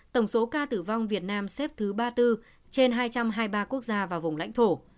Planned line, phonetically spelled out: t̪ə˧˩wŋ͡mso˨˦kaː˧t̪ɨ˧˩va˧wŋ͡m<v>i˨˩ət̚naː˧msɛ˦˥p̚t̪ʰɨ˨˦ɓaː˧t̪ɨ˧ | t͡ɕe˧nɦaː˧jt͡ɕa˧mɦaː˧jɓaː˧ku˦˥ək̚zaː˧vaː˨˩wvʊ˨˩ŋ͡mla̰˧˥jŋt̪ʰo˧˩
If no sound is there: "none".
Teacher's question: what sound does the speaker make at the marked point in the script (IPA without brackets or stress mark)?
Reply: v